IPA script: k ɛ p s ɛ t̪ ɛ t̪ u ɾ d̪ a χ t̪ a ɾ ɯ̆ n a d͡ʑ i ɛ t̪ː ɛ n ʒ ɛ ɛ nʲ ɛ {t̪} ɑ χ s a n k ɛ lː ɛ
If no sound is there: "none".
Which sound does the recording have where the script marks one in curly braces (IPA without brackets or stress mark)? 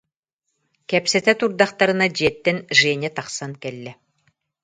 t̪